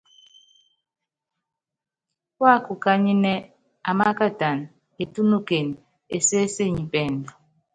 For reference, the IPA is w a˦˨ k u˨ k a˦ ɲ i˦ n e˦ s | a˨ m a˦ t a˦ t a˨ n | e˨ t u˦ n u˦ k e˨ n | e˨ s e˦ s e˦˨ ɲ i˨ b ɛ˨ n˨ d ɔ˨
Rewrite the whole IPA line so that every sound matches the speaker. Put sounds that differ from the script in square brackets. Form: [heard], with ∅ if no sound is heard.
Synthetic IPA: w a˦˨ k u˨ k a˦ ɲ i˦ n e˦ [∅] | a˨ m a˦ [k] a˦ t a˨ n | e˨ t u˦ n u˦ k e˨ n | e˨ s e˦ s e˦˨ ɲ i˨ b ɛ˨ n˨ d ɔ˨